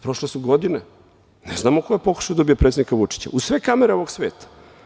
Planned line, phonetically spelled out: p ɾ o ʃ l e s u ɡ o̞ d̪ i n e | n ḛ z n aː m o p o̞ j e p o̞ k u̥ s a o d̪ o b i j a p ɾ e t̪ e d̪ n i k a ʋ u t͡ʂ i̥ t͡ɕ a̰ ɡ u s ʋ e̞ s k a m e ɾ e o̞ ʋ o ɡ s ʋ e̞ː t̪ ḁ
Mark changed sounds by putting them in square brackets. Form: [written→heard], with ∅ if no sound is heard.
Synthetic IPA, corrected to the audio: p ɾ o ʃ l e s u ɡ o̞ d̪ i n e | n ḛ z n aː m o [p→k] o̞ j e p o̞ k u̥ [s→ʃ] a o d̪ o b i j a p ɾ e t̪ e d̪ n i k a ʋ u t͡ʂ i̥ t͡ɕ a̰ [ɡ→∅] u s ʋ e̞ [s→∅] k a m e ɾ e o̞ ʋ o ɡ s ʋ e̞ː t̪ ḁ